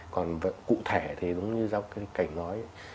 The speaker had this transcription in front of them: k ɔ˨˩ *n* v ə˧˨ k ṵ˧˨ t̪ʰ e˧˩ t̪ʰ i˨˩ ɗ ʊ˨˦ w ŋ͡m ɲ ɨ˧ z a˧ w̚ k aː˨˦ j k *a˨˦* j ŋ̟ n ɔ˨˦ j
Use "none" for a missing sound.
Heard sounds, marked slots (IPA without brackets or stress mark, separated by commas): n, a˧˩